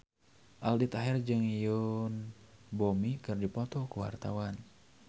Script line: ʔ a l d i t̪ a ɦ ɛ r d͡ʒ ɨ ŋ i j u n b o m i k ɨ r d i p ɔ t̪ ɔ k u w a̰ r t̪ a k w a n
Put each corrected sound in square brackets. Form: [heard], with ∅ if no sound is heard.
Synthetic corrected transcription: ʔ a l d i t̪ a ɦ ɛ r d͡ʒ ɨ ŋ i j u n b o m i k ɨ r d i p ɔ t̪ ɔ k u w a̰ r t̪ a [∅] w a n

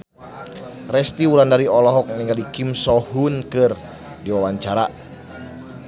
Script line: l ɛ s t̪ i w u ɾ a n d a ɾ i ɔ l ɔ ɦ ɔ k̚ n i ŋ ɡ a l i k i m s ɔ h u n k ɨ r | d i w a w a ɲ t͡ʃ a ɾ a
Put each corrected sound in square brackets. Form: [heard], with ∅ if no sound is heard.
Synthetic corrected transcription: [r] ɛ s t̪ i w u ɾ a n d a ɾ i ɔ l ɔ ɦ ɔ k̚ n i ŋ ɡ a l i k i m s ɔ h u n k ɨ r | d i w a w a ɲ t͡ʃ a ɾ a

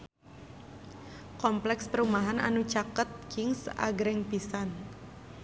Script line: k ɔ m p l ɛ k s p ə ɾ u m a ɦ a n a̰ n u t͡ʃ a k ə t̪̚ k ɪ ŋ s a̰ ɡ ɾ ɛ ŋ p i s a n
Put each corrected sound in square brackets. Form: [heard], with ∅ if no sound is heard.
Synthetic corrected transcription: k ɔ m p l ɛ k s p ə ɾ u m a ɦ a n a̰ n u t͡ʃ a k ə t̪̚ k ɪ ŋ s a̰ ɡ ɾ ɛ ŋ p i s a n

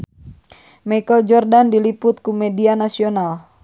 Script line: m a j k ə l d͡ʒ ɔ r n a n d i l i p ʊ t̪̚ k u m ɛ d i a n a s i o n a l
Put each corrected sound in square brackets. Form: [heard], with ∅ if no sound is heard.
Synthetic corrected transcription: m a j k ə l d͡ʒ ɔ r [d] a n d i l i p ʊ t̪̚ k u m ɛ d i a n a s i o n a l

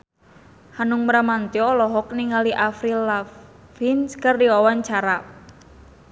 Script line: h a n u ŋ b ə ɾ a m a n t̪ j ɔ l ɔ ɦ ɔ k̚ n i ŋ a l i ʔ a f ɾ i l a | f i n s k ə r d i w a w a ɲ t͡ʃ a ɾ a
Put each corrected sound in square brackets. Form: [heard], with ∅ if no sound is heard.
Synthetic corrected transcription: h a n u ŋ [m] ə ɾ a m a n t̪ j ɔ l ɔ ɦ ɔ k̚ n i ŋ a l i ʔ a f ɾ i l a | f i n s k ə r d i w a w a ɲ t͡ʃ a ɾ a

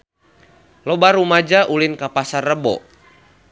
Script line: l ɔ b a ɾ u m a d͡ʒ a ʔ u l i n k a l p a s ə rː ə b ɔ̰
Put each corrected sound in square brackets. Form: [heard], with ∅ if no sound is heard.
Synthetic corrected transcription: l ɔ b a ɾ u m a d͡ʒ a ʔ u l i n k a [∅] p a s [a] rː ə b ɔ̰

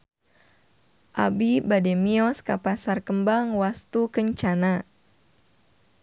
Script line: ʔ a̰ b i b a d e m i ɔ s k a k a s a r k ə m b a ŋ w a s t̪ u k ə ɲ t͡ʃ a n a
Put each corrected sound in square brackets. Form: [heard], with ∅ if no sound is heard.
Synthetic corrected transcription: ʔ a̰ b i b a d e m i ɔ s k a [p] a s a r k ə m b a ŋ w a s t̪ u k ə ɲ t͡ʃ a n a

